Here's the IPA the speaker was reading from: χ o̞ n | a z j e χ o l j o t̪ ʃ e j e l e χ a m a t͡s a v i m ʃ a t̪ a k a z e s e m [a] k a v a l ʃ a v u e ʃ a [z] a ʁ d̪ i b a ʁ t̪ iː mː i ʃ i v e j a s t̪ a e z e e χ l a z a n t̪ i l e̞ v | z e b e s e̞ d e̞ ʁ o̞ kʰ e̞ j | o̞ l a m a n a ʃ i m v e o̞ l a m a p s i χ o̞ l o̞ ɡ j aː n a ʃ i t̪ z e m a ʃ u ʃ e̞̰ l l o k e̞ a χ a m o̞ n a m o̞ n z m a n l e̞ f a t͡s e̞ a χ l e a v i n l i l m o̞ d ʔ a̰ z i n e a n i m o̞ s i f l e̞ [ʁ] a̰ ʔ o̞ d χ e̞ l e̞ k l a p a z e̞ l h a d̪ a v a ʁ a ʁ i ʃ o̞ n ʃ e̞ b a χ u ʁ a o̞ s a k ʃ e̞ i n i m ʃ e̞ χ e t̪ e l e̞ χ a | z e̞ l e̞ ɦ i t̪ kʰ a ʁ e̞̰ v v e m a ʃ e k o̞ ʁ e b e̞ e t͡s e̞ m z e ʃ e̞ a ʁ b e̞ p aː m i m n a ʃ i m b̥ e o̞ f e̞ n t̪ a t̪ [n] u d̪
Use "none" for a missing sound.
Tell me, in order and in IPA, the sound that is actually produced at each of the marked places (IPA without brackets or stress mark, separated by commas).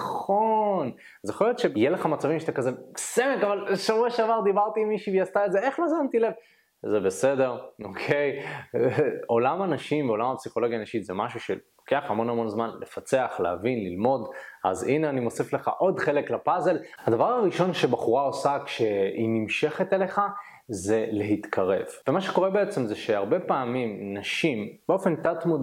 e, v, χ, m